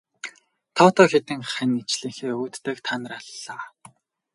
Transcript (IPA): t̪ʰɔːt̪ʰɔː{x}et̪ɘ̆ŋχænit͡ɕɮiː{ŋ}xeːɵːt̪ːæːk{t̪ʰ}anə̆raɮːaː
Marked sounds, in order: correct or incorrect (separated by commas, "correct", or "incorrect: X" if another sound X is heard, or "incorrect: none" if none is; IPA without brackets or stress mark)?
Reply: correct, correct, correct